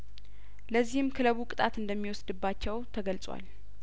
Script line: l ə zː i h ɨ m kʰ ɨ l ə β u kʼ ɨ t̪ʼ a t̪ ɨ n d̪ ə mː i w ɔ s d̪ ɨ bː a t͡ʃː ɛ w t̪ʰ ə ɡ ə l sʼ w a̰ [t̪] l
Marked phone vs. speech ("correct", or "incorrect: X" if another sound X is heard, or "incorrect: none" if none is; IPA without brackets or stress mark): incorrect: none